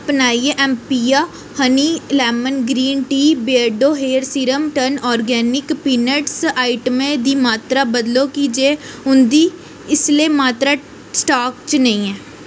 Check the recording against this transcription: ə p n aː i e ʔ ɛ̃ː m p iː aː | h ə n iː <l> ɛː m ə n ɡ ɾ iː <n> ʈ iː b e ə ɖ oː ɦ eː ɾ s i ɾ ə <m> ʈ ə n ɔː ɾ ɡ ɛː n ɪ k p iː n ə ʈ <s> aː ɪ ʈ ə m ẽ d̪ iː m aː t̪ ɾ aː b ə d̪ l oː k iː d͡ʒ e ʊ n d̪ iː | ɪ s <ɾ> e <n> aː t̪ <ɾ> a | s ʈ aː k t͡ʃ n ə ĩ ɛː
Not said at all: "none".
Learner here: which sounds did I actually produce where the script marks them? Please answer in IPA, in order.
l, n, m, s, l, m, ɾ

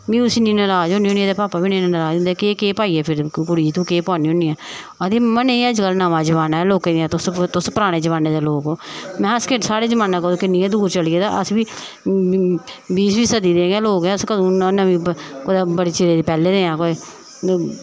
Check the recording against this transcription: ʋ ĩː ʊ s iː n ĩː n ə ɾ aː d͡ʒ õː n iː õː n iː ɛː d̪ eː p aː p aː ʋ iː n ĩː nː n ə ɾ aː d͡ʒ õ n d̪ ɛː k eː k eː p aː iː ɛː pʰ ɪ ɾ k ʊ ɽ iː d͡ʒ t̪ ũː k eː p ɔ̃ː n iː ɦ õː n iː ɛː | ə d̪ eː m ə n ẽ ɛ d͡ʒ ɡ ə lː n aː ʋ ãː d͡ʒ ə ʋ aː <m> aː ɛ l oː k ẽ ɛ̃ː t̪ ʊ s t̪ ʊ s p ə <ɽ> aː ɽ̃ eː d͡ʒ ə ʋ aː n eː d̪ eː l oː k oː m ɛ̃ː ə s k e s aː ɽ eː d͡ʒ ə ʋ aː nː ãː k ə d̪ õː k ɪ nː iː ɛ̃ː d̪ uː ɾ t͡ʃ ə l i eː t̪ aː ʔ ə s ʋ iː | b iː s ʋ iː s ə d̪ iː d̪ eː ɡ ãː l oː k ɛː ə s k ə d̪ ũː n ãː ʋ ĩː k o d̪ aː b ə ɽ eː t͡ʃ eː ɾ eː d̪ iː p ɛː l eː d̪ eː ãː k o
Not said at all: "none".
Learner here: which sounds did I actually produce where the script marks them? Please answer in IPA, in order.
n, ɾ

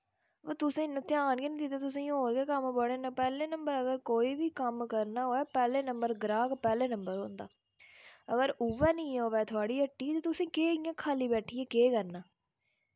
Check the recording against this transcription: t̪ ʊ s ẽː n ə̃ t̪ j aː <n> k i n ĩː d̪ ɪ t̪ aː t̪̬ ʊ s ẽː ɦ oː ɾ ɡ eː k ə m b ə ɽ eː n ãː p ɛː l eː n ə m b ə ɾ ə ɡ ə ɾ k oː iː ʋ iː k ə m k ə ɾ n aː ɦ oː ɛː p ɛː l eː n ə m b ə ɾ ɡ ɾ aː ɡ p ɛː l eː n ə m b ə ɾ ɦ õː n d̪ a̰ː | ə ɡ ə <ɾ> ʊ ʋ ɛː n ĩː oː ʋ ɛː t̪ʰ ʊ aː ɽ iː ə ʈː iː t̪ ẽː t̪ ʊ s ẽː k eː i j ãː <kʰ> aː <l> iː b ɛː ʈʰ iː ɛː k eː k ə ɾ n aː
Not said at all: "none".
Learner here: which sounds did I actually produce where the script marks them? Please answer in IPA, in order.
n, ɾ, kʰ, l

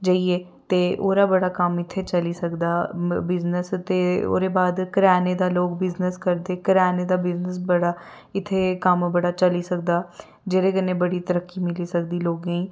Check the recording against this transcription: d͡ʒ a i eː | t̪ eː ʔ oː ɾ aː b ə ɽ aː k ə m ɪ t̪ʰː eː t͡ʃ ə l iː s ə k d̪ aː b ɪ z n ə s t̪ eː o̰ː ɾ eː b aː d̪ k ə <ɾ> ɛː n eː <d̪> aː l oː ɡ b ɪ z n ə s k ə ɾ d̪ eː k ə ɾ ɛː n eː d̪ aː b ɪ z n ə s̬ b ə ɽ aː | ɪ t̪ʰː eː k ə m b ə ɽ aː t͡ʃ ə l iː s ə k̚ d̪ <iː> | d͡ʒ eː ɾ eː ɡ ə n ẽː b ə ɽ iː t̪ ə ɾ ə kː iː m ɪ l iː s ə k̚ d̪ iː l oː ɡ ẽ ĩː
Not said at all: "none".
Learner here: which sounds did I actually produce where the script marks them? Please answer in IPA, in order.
ɾ, d̪, aː

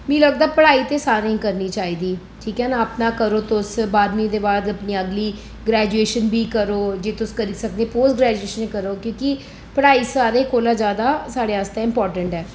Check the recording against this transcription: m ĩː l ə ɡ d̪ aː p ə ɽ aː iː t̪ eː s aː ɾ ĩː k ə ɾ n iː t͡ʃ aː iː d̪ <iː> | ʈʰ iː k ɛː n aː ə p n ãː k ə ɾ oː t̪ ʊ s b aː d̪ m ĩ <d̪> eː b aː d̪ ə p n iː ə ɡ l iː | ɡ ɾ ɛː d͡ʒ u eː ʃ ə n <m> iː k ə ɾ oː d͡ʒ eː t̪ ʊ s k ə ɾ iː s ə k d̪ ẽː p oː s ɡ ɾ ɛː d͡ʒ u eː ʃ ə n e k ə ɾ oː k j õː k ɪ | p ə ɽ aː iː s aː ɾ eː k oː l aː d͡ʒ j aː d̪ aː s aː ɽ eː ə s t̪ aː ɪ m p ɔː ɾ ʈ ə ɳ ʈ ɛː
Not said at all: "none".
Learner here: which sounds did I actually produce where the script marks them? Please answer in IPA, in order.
iː, d̪, b

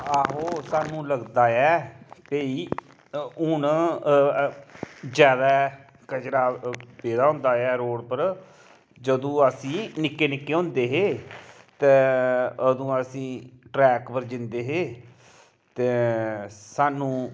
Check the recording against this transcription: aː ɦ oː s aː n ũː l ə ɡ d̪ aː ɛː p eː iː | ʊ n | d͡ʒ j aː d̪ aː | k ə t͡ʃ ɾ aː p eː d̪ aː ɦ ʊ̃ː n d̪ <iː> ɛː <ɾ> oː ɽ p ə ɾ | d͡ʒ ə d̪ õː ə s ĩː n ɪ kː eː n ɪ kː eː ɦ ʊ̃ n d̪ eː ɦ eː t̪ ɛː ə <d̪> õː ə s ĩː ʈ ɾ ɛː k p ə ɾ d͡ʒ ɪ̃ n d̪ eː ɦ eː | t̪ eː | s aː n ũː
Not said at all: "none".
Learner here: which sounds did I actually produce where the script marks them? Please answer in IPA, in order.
aː, ɾ, d̪

